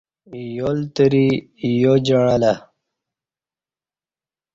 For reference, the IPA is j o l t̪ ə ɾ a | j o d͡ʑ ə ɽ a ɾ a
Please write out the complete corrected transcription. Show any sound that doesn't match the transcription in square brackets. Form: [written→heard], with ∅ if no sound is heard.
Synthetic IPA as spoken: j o l t̪ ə ɾ [a→i] | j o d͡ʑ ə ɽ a [ɾ→l] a